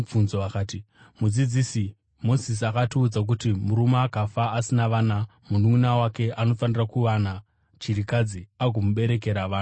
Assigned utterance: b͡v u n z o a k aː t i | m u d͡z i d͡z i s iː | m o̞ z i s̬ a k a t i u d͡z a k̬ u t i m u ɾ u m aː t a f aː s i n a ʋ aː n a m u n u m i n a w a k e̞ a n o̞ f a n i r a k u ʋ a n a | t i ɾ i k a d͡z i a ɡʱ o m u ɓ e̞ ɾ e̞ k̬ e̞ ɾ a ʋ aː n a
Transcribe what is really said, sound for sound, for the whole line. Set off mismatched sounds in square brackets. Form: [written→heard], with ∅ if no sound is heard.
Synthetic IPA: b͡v u n z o a k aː t i | m u d͡z i d͡z i s [iː→i] | m o̞ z i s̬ a k a t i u d͡z a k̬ u t i m u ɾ u m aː [t→k] a f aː s i n a ʋ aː n a m u n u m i n a w a k e̞ a n o̞ f a n i r a k u ʋ a n a | [t→t͡ʃ] i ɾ i k a d͡z i a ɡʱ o m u ɓ e̞ ɾ e̞ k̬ e̞ ɾ a ʋ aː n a

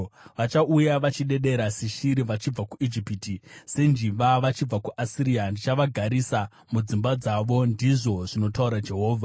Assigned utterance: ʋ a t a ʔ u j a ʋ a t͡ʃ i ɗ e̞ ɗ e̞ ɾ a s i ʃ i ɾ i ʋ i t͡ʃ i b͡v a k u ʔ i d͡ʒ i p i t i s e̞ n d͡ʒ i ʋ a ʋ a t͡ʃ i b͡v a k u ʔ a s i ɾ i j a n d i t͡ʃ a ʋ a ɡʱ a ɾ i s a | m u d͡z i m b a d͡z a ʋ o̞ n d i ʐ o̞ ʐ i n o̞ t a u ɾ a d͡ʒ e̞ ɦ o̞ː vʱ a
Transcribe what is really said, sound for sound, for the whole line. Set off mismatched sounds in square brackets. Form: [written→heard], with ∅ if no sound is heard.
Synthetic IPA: ʋ a [t→t͡ʃ] a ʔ u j a ʋ a t͡ʃ i ɗ e̞ ɗ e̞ ɾ a s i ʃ i ɾ i ʋ [i→a] t͡ʃ i b͡v a k u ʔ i d͡ʒ i p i t i s e̞ n d͡ʒ i ʋ a ʋ a t͡ʃ i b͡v a k u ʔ a s i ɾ i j a n d i t͡ʃ a ʋ a ɡʱ a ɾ i s a | m u d͡z i m b a d͡z a ʋ o̞ n d i ʐ o̞ ʐ i n o̞ t a u ɾ a d͡ʒ e̞ ɦ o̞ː vʱ a

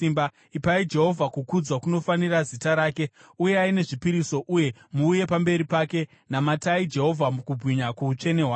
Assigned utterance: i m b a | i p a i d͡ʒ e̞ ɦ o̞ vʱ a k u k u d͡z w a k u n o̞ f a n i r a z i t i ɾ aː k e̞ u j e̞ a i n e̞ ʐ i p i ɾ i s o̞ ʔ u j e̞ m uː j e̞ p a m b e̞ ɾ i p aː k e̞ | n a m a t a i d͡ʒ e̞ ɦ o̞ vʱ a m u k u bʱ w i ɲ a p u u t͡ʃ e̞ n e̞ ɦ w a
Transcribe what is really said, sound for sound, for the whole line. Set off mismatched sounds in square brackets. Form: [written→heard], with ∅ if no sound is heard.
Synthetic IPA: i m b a | i p a i d͡ʒ e̞ ɦ o̞ vʱ a k u k u d͡z w a k u n o̞ f a n i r a z i t [i→a] ɾ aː k e̞ u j e̞ a i n e̞ ʐ i p i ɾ i s o̞ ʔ u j e̞ m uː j e̞ p a m b e̞ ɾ i p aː k e̞ | n a m a t a i d͡ʒ e̞ ɦ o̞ vʱ a m u k u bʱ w i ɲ a [p→k] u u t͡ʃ e̞ n e̞ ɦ w a

